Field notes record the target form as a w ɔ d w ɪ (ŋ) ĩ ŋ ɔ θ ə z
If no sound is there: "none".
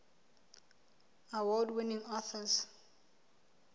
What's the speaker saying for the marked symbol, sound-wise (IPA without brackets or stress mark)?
n